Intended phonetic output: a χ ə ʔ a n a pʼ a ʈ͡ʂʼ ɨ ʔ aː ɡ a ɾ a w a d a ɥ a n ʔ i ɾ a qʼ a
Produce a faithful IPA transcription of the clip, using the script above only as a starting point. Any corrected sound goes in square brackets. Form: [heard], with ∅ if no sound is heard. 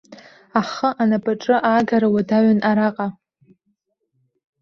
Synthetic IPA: a χ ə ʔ a n a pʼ a ʈ͡ʂʼ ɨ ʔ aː ɡ a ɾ a w a d a ɥ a n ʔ [a] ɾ a qʼ a